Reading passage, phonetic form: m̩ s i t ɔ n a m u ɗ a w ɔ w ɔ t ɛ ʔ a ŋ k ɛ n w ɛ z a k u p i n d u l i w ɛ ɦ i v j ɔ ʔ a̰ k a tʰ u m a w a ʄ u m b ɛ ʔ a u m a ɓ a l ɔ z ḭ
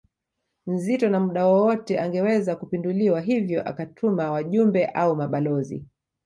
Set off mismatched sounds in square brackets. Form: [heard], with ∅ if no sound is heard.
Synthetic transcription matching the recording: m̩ [z] i t ɔ n a m u ɗ a w ɔ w ɔ t ɛ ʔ a ŋ [ɡ] ɛ [∅] w ɛ z a k u p i n d u l i w [a] ɦ i v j ɔ ʔ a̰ k a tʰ u m a w a ʄ u m b ɛ ʔ a u m a ɓ a l ɔ z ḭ